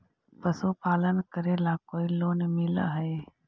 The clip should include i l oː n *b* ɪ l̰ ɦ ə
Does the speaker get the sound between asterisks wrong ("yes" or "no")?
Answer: yes